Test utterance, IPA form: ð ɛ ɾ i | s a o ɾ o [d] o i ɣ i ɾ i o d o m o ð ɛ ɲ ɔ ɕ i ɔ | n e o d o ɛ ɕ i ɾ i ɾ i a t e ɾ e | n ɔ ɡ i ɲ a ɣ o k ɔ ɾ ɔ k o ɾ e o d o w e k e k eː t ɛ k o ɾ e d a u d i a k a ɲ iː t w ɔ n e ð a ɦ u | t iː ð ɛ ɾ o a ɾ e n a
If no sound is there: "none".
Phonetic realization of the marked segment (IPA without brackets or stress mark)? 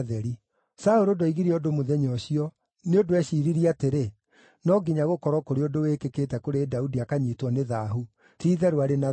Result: d